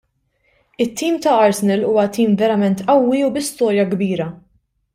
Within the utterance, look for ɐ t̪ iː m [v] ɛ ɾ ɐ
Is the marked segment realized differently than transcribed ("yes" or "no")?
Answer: no